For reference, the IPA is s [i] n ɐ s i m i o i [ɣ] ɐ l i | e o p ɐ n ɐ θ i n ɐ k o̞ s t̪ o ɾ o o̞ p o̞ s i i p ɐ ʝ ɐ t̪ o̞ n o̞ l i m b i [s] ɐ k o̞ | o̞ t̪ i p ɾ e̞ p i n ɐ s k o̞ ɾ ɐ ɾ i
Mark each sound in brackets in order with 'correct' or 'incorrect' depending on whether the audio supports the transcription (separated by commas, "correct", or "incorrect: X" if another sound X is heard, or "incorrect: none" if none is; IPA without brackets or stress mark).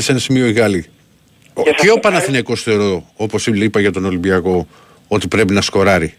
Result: incorrect: e, correct, incorrect: none